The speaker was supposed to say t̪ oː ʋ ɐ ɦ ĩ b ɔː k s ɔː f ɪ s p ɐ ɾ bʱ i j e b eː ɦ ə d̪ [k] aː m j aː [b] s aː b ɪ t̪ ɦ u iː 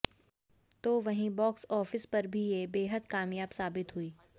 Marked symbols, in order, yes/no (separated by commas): yes, yes